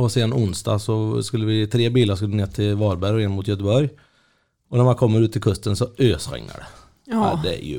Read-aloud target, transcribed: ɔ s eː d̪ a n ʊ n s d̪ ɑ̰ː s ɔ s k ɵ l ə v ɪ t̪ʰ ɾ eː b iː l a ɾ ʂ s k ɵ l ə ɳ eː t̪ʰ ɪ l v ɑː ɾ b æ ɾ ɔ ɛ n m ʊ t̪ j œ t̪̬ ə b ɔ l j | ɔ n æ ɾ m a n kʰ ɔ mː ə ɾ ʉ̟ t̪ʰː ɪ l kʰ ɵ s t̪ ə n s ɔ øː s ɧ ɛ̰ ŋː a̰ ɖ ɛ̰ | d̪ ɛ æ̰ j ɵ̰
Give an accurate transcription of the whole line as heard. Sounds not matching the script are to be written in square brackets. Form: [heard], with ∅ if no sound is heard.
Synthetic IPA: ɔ s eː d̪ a n ʊ n s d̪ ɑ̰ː s ɔ s k ɵ [lː] ə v ɪ t̪ʰ ɾ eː b iː l a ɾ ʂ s k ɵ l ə [n] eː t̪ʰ ɪ l v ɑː ɾ b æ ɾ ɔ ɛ n m ʊ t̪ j œ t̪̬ ə b ɔ [ɾ] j | ɔ n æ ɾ m a n kʰ ɔ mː ə ɾ ʉ̟ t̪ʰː ɪ l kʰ ɵ s t̪ ə n s ɔ øː s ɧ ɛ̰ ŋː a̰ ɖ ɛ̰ | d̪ ɛ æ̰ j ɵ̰